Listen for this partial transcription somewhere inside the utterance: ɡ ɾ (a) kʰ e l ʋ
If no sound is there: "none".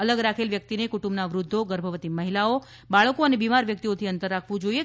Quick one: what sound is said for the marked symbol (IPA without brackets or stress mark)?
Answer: a